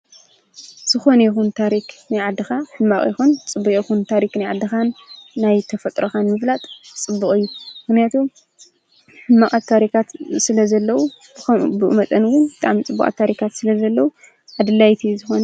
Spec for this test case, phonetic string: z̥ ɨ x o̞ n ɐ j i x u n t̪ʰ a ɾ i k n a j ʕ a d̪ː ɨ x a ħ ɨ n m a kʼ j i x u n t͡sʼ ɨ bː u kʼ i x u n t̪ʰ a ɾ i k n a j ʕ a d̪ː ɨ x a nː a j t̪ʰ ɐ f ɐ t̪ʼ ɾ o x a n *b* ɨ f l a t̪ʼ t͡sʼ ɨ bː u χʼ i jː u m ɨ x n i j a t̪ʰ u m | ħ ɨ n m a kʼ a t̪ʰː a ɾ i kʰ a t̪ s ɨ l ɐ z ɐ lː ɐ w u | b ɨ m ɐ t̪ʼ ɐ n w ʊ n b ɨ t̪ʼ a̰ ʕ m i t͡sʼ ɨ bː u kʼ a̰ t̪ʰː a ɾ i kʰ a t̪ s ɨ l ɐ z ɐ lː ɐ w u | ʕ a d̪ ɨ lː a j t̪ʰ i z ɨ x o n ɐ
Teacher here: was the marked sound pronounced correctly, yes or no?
no